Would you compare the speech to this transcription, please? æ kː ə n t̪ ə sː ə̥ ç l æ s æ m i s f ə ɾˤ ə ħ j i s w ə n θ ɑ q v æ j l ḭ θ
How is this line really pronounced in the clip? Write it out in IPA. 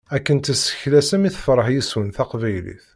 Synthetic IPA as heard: æ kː ə n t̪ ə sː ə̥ ç l æ s æ m i θ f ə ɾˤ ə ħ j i s w ə n θ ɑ q v æ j l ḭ θ

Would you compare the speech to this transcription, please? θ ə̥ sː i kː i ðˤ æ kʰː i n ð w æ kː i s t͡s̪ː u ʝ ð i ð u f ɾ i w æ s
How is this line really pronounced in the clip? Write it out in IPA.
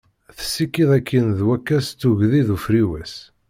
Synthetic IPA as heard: θ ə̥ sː i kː i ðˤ æ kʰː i n ð w æ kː æ s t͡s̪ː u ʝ ð i ð u f ɾ i w æ s

